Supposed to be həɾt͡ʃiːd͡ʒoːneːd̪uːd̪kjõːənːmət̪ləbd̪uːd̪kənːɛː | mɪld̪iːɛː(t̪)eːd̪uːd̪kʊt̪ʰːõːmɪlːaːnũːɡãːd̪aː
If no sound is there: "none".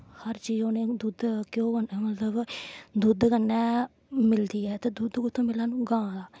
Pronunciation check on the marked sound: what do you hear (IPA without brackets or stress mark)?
t̪